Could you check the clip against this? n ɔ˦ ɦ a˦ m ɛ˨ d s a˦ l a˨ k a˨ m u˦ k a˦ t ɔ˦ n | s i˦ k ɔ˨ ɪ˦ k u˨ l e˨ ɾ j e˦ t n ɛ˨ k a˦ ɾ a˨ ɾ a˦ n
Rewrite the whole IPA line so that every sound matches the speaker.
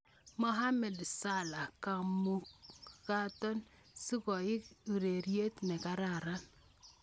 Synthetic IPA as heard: m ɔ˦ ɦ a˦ m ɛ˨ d s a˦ l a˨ k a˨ m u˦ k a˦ t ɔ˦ n | s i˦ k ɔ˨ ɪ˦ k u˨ ɾ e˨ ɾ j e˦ t n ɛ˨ k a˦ ɾ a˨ ɾ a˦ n